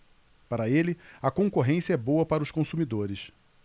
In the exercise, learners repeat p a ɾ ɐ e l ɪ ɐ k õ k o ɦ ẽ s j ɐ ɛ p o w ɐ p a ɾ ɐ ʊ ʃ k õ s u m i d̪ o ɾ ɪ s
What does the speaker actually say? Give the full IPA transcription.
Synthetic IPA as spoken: p a ɾ ɐ e l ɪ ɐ k õ k o ɦ ẽ s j ɐ ɛ b o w ɐ p a ɾ ɐ ʊ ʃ k õ s u m i d̪ o ɾ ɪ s